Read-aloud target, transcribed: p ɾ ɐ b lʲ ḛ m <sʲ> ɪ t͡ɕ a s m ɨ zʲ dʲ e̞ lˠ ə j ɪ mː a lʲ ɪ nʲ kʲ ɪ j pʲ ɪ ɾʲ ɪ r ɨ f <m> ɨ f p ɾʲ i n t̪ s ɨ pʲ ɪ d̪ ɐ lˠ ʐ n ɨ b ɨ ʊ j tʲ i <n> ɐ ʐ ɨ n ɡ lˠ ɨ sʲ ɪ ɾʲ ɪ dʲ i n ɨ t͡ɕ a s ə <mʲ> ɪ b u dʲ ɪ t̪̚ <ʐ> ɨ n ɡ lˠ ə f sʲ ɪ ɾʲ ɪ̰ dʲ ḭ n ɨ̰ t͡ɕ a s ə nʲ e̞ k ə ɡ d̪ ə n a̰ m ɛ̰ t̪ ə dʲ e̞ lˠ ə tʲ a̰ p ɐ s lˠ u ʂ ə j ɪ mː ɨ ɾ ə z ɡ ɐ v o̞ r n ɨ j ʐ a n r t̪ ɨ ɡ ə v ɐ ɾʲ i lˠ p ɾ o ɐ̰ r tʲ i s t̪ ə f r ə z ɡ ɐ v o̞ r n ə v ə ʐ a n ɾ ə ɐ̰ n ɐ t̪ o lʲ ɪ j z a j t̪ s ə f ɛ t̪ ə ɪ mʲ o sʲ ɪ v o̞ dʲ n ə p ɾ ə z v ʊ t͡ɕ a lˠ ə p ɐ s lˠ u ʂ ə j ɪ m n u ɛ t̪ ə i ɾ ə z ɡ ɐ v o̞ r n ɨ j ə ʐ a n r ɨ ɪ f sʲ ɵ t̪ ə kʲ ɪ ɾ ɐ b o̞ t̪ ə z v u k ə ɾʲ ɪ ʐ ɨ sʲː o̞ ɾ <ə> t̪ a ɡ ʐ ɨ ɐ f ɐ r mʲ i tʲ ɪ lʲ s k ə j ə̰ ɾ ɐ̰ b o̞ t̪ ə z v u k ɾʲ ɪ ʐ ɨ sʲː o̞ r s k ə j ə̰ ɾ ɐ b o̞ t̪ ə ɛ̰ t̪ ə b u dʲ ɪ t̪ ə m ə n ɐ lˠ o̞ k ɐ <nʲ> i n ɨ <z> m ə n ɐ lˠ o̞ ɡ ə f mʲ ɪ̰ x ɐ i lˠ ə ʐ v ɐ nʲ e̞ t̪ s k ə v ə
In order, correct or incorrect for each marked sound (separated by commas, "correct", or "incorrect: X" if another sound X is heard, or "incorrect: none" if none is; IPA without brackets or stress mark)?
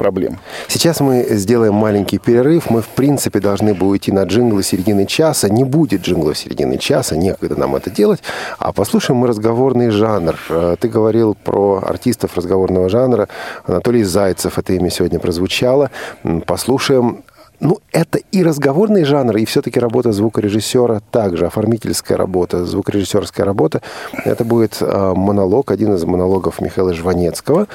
correct, correct, correct, incorrect: nʲ, correct, correct, incorrect: dʲ, correct